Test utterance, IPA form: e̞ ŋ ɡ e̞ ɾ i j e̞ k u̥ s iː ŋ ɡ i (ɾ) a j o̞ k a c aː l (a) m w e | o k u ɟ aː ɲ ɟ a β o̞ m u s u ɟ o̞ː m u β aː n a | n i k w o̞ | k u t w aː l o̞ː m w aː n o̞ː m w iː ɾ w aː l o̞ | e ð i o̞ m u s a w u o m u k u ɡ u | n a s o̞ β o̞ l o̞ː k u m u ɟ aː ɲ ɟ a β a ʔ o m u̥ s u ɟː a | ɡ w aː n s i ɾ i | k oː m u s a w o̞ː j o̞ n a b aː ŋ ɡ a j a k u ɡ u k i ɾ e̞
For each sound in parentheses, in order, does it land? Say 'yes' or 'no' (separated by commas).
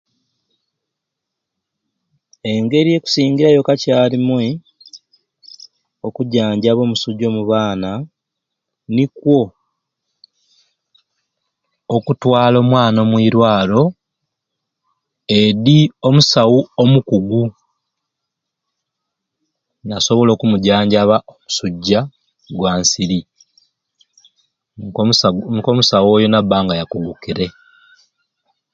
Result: yes, no